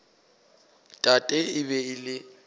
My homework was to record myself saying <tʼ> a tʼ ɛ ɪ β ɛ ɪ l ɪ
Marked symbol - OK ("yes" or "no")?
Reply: yes